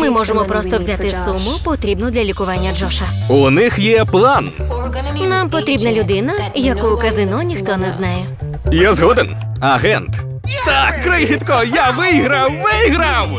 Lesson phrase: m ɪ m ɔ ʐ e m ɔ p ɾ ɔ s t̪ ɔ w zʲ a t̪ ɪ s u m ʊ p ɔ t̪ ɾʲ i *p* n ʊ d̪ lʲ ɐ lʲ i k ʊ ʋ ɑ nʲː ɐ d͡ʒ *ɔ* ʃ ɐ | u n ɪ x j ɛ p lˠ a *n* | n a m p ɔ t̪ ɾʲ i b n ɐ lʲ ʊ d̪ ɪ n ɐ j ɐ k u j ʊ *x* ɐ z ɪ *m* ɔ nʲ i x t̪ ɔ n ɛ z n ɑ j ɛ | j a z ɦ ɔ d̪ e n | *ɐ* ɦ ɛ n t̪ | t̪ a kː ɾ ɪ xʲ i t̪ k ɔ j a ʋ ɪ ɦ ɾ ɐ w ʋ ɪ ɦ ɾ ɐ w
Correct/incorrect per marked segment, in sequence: incorrect: b, correct, correct, incorrect: k, incorrect: n, correct

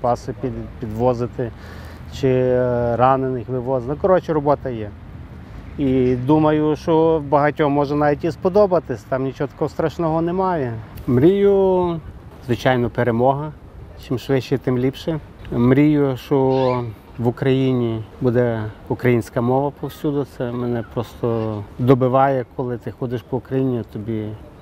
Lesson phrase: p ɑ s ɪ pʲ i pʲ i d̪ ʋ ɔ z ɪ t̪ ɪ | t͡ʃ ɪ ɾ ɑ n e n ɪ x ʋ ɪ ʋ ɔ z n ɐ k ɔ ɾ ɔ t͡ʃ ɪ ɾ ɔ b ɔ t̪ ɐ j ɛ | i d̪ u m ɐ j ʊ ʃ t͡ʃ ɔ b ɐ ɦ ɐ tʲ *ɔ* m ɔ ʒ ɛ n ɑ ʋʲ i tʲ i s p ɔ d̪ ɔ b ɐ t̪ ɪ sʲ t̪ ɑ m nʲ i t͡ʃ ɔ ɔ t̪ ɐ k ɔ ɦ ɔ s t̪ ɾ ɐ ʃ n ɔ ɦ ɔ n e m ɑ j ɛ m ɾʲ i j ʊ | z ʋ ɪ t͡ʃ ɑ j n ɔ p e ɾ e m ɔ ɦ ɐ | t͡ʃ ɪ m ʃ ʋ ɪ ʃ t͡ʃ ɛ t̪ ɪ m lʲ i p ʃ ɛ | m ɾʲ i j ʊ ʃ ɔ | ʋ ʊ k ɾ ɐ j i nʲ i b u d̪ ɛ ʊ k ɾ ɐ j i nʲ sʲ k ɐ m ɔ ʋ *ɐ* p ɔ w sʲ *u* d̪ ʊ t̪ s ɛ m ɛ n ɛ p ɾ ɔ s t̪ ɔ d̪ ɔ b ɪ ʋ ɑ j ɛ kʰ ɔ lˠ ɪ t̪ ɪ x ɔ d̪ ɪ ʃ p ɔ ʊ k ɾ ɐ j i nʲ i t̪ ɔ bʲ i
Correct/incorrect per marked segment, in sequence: correct, correct, correct

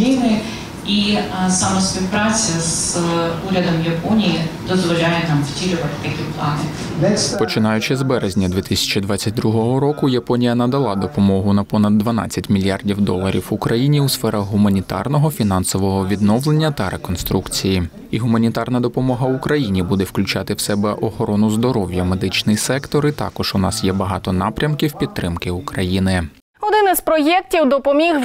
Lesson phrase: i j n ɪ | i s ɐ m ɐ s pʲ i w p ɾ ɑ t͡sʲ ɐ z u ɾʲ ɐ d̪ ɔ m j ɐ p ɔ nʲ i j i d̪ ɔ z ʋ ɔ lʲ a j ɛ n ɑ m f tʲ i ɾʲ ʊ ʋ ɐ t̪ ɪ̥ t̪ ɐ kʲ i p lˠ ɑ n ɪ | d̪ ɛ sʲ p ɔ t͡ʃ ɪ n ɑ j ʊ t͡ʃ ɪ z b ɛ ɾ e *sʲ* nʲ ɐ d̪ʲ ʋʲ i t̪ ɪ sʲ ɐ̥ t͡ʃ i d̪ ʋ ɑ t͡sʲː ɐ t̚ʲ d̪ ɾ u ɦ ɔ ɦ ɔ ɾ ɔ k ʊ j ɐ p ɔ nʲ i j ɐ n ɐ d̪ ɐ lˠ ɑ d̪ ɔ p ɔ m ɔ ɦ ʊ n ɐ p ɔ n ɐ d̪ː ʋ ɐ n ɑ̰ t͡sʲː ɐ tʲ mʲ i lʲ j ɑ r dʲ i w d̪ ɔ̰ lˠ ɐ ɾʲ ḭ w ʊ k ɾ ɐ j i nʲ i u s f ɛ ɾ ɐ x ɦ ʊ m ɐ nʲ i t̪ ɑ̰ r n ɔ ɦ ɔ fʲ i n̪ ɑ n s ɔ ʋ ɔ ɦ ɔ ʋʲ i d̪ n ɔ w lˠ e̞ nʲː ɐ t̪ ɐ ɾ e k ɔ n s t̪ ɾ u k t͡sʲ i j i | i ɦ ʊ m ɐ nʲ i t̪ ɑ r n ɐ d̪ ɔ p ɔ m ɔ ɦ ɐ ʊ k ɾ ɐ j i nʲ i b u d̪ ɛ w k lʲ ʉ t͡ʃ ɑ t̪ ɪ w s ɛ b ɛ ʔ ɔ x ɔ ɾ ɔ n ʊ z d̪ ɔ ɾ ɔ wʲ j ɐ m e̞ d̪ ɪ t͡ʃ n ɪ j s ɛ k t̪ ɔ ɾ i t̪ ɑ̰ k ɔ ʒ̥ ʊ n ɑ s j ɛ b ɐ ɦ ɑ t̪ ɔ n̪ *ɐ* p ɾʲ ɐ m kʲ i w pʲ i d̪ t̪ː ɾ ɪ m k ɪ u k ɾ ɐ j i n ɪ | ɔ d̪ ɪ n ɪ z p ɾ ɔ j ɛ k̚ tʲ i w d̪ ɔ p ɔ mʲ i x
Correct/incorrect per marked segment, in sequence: incorrect: zʲ, incorrect: ɑ

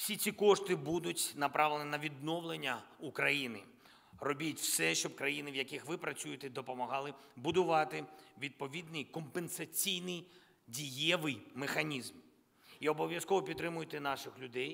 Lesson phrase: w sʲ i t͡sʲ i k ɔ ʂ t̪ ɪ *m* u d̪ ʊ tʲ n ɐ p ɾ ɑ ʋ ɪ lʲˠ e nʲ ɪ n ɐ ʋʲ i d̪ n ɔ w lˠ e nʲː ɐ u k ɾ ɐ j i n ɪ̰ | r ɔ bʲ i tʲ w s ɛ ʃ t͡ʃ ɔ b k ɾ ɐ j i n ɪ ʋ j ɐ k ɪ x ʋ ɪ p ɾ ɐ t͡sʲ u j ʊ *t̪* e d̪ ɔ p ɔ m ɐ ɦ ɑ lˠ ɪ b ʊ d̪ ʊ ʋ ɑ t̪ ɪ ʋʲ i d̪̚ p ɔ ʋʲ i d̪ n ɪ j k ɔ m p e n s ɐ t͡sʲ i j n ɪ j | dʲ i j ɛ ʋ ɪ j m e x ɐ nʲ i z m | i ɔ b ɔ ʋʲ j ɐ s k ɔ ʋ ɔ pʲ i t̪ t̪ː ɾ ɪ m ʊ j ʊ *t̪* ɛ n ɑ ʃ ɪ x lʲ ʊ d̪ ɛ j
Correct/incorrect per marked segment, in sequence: incorrect: b, correct, correct

